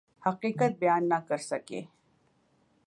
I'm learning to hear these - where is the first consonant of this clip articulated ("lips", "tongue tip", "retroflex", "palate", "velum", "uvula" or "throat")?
throat